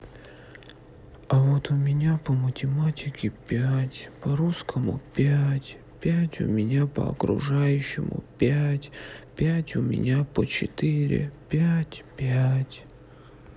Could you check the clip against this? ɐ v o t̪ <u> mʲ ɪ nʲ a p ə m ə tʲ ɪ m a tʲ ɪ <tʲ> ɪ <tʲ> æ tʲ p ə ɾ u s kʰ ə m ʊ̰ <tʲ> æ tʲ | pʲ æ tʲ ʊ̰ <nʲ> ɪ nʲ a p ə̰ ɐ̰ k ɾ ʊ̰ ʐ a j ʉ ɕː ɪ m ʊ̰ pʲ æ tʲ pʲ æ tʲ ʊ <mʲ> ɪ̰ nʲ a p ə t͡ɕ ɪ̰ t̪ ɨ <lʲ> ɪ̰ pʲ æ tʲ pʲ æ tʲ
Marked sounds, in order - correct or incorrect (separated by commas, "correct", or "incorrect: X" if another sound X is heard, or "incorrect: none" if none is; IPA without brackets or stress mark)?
incorrect: ʊ, incorrect: kʲ, incorrect: pʲ, incorrect: pʲ, incorrect: mʲ, correct, incorrect: ɾʲ